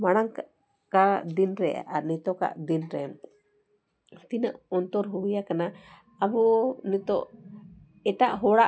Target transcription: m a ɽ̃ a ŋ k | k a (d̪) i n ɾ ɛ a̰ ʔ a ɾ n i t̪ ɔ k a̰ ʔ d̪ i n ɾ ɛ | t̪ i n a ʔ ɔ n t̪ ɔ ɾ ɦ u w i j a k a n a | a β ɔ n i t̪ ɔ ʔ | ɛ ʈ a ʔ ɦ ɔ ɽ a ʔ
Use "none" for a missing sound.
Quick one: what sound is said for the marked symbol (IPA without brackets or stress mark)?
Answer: d̪